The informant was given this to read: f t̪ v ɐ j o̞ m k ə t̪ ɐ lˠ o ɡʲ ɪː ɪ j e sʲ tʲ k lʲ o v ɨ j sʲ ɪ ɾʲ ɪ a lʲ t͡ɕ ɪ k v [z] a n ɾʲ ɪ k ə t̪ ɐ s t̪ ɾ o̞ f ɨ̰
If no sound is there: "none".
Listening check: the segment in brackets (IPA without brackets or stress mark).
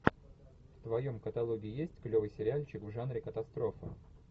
ʐ